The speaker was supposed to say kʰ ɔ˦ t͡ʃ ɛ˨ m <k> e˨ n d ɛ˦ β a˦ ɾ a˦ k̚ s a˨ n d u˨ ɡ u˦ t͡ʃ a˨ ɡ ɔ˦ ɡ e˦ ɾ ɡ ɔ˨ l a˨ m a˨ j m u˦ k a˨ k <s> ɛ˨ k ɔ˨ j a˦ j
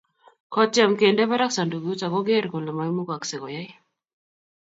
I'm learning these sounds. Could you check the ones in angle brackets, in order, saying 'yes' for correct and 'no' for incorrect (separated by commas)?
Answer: yes, yes